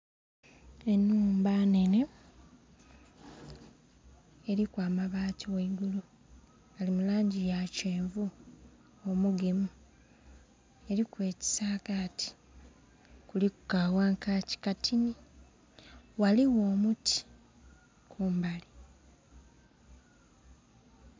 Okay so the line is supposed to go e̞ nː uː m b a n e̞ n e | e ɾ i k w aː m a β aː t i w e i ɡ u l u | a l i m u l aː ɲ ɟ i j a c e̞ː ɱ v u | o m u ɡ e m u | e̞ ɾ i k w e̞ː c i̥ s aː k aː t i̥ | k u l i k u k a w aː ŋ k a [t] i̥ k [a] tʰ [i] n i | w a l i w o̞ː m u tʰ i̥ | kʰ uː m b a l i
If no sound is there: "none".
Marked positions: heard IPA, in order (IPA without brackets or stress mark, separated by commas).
c, a, i